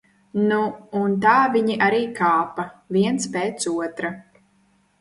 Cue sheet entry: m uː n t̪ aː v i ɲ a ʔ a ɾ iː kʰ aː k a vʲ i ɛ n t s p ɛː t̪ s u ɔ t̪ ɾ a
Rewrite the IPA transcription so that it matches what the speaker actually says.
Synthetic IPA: n uː n t̪ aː v i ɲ i ʔ a ɾ iː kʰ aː p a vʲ i ɛ n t s p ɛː t̪ s u ɔ t̪ ɾ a